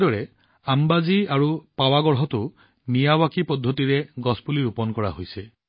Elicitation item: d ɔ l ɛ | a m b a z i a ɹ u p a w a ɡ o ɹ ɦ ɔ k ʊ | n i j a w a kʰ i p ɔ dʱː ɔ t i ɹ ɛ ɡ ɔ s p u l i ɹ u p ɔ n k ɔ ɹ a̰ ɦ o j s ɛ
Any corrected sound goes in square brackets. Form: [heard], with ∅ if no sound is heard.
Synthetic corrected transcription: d ɔ [ɹ] ɛ | a m b a z i a ɹ u p a w a ɡ [ɔ] ɹ ɦ ɔ [t] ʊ | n i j a w a [k] i p ɔ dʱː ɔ t i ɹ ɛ ɡ ɔ s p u l i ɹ u p ɔ n k ɔ ɹ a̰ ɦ o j s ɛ